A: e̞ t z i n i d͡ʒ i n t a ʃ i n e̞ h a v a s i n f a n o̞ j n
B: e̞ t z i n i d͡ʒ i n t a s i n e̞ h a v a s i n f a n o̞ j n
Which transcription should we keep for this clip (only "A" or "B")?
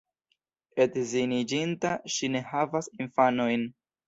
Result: A